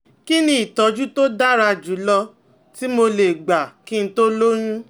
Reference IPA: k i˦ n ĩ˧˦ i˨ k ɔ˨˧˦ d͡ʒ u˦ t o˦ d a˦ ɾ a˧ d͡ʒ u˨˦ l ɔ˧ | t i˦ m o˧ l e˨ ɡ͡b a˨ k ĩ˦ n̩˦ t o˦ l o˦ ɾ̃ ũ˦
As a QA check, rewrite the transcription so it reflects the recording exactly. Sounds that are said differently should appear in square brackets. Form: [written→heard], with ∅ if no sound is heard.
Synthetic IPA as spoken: k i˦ n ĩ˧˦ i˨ [k→t] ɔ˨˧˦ d͡ʒ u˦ t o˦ d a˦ ɾ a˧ d͡ʒ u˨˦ l ɔ˧ | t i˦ m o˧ l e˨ ɡ͡b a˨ k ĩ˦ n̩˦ t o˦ l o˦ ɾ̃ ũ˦